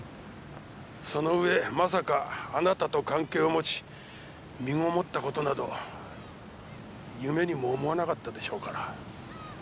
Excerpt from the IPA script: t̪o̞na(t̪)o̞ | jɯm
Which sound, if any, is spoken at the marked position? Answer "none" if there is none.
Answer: d̪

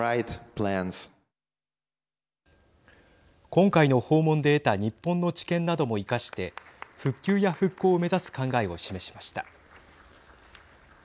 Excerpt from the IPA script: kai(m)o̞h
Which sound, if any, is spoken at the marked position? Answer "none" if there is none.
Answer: n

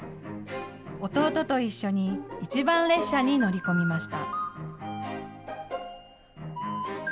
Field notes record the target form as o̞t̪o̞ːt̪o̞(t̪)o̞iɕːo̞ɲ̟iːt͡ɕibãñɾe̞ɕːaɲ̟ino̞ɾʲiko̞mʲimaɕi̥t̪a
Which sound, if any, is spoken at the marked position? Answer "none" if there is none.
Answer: t̪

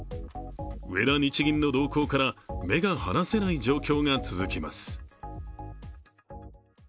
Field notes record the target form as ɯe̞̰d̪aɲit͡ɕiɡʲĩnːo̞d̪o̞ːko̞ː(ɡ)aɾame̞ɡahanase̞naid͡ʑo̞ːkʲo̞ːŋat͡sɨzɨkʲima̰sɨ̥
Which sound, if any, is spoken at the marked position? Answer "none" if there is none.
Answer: k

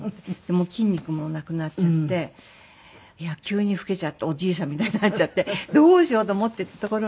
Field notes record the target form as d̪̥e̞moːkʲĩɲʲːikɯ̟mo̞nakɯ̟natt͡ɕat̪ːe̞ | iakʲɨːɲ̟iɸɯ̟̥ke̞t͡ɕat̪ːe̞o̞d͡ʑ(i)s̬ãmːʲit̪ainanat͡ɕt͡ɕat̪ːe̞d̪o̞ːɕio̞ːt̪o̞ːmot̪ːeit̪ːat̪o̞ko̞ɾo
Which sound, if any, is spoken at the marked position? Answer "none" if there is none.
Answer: iː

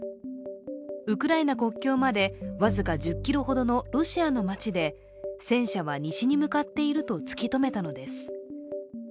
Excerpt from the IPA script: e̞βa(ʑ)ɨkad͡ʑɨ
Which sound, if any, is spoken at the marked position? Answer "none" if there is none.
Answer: z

